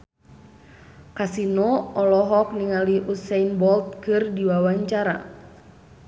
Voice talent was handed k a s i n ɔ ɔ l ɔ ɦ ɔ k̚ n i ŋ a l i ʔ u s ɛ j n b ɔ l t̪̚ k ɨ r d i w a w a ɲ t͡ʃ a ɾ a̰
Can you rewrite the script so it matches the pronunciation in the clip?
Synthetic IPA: k a s i n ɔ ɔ l ɔ ɦ ɔ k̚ n i ŋ a l i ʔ u s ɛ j n b ɔ l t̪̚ k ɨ r d i w a w a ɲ t͡ʃ a ɾ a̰